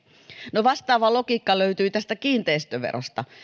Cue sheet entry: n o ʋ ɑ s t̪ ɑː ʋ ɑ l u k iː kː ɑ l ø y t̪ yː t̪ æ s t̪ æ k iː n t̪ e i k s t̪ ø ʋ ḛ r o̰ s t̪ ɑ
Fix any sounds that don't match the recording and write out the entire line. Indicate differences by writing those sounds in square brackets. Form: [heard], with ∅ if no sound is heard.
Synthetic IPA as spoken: n o ʋ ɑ s t̪ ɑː ʋ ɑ l [o] k iː kː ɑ l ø y t̪ yː t̪ æ s t̪ æ k iː n t̪ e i [∅] s t̪ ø ʋ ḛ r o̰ s t̪ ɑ